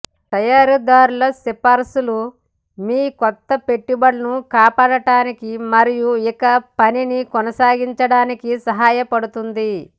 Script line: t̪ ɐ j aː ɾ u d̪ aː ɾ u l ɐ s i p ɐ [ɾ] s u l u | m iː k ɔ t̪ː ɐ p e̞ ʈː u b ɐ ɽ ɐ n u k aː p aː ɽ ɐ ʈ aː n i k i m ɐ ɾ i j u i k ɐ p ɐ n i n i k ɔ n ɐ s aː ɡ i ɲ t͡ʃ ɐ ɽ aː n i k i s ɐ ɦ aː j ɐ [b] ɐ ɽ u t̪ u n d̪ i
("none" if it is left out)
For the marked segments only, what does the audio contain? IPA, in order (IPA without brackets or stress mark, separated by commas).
ɾ, p